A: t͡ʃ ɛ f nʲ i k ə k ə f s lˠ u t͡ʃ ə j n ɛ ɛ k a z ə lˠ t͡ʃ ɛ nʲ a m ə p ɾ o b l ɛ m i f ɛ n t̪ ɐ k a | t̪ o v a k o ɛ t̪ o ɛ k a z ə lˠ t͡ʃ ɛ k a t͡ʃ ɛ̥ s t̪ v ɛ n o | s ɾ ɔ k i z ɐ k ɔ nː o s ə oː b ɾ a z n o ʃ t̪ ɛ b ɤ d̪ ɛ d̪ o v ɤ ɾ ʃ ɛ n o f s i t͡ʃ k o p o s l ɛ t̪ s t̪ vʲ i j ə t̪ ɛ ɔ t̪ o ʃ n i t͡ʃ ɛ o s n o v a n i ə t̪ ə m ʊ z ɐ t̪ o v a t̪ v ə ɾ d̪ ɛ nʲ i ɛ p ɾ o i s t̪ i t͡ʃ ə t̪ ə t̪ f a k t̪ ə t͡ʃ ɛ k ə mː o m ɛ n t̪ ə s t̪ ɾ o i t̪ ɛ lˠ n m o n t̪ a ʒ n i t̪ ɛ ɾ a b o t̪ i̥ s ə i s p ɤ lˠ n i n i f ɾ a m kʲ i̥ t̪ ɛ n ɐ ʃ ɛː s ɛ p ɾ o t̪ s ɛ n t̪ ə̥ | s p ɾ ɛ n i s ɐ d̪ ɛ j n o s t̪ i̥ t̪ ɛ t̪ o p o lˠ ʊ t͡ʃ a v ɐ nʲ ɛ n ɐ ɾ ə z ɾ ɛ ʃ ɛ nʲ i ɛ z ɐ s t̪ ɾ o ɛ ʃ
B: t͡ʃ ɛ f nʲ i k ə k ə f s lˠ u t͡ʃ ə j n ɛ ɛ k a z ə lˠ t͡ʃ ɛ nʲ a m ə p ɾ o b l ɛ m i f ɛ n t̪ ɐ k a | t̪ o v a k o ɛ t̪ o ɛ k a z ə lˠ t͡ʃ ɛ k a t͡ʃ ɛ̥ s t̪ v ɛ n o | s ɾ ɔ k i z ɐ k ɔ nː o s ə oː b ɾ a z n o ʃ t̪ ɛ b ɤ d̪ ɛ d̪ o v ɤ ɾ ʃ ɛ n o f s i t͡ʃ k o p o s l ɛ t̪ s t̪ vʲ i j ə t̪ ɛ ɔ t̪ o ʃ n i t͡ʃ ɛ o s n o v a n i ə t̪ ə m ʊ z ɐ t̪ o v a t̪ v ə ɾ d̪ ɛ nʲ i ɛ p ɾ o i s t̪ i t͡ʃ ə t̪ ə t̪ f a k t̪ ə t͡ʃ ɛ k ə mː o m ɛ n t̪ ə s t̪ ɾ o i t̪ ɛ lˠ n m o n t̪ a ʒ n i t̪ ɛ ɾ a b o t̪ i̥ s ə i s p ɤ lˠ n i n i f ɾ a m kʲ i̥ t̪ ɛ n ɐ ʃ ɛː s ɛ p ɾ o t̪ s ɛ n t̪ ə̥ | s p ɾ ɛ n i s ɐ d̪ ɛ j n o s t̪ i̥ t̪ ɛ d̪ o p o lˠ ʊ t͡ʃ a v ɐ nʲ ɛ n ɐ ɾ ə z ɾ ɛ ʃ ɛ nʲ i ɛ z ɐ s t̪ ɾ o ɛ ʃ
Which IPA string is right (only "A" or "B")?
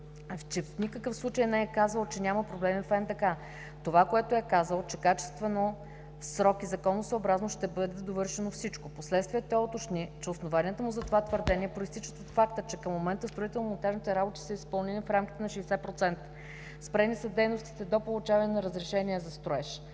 B